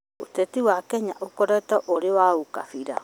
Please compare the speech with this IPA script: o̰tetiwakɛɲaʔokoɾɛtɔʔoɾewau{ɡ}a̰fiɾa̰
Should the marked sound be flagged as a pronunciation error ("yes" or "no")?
yes